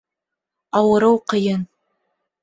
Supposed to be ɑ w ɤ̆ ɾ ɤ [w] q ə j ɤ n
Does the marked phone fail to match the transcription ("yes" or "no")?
no